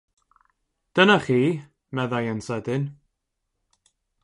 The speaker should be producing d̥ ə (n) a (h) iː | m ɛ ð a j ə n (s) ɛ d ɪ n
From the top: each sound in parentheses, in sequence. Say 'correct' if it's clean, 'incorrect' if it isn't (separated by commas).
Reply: correct, incorrect, correct